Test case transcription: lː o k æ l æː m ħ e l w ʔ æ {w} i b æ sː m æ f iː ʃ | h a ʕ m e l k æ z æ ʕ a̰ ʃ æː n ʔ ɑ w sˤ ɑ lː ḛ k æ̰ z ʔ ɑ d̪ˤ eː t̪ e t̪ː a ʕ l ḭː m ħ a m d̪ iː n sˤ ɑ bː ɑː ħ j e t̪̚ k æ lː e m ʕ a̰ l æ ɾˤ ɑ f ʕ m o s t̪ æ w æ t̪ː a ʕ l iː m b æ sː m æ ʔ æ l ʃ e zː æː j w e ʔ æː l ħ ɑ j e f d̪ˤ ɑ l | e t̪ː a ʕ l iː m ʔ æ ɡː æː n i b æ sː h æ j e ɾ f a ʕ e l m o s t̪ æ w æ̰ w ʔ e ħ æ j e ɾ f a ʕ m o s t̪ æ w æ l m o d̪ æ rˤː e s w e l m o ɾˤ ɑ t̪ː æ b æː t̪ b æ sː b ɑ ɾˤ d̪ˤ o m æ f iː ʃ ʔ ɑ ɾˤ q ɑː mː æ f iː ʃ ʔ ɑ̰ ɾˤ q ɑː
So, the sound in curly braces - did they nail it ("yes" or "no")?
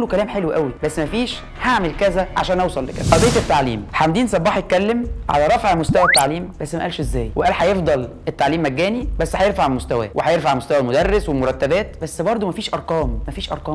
yes